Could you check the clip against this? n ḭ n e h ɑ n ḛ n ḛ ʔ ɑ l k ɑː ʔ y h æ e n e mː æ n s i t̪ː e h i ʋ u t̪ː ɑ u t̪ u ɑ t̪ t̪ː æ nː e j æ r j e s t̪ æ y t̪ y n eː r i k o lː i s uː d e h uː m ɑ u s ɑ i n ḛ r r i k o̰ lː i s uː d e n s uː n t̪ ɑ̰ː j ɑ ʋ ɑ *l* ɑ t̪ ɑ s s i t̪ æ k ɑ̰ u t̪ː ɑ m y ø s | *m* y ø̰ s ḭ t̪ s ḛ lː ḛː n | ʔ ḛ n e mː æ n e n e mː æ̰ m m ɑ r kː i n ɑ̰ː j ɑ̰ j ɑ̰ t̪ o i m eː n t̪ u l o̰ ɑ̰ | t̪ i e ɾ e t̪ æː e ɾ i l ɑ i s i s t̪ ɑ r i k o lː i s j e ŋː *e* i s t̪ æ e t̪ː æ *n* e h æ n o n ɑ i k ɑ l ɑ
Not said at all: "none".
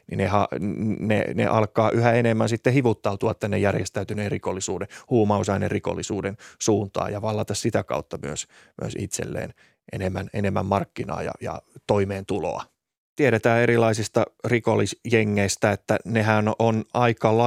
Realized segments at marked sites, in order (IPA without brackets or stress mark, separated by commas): lː, m, e, n